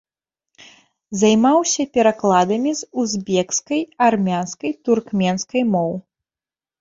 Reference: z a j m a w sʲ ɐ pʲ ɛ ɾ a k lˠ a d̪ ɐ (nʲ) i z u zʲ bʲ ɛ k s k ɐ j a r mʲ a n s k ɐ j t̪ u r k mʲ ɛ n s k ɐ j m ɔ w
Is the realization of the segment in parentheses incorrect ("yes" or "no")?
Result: yes